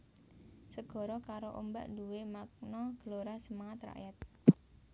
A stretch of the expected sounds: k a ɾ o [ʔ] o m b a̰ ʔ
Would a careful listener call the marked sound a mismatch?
no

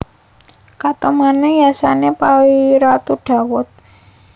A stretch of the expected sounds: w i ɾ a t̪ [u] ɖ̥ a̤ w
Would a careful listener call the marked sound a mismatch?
no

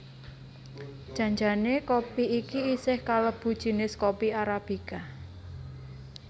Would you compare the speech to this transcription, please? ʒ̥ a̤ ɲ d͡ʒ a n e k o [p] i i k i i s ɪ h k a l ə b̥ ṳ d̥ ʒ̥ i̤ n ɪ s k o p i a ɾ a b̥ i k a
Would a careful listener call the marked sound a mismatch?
no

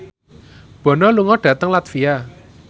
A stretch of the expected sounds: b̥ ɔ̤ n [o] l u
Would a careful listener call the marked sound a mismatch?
yes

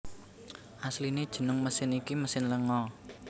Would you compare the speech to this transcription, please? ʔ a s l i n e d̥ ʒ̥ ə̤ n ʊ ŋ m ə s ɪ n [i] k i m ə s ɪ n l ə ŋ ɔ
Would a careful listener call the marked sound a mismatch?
no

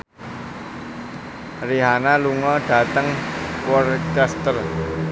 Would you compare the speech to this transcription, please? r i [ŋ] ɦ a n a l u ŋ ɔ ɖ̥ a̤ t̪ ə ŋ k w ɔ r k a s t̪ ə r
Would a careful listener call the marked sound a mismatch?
yes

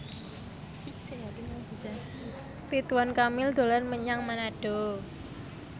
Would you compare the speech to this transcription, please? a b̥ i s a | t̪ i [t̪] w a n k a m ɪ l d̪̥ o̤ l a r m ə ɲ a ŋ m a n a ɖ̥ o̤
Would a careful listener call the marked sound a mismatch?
no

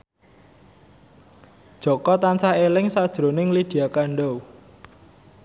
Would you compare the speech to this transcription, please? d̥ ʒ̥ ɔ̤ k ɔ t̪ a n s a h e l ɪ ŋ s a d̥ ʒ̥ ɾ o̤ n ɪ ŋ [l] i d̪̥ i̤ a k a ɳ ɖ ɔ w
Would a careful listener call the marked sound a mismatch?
no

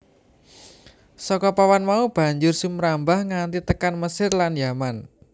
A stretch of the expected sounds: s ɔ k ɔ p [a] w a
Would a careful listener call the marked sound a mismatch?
no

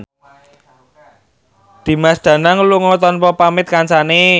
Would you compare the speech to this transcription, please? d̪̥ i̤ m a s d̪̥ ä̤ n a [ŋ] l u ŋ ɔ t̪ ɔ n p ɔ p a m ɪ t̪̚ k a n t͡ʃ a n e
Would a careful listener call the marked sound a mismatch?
no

